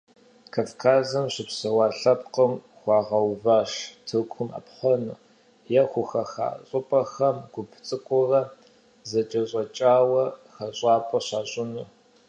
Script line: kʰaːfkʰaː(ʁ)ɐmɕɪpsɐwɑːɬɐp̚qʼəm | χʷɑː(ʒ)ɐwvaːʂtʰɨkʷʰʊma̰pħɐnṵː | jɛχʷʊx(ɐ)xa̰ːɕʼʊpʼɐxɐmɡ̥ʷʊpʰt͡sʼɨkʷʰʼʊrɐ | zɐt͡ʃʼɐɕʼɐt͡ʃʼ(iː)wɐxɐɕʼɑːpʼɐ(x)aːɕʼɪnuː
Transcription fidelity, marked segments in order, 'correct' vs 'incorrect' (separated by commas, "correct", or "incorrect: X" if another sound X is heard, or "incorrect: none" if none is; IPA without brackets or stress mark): incorrect: z, incorrect: ʁ, correct, incorrect: aː, incorrect: ɕ